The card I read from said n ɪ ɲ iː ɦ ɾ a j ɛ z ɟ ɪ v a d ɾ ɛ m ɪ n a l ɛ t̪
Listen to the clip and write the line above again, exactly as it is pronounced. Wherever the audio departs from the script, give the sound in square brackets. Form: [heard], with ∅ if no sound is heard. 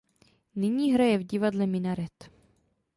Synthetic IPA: n ɪ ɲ iː ɦ ɾ a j ɛ [v] ɟ ɪ v a d [l] ɛ m ɪ n a [ɾ] ɛ t̪